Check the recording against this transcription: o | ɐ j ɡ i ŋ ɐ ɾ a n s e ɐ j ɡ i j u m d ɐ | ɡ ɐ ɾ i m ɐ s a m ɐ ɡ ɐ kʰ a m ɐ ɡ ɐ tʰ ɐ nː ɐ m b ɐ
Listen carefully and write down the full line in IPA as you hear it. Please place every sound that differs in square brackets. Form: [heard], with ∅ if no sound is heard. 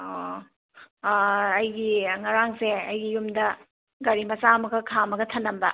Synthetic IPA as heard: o | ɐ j ɡ i ŋ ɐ ɾ a [ŋ] s e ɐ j ɡ i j u m d ɐ | ɡ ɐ ɾ i m ɐ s a m ɐ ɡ ɐ kʰ a m ɐ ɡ ɐ tʰ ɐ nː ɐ m b ɐ